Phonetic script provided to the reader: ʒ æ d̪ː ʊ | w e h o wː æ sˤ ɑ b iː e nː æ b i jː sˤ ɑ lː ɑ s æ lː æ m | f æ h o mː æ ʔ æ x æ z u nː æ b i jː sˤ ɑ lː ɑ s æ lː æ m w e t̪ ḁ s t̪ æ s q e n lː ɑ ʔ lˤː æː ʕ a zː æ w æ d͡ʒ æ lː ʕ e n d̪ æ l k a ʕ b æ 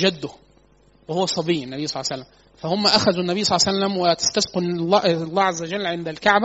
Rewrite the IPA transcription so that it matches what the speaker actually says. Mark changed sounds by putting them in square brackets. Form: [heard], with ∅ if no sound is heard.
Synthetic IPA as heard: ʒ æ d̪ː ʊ | w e h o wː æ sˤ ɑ b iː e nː æ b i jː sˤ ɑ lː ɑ s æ lː æ m | f æ h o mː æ ʔ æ x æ z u nː æ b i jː sˤ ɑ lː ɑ s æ lː æ m w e t̪ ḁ s t̪ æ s q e n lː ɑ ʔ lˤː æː ʕ a zː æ w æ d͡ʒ æ lː ʕ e n d̪ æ l k a ʕ b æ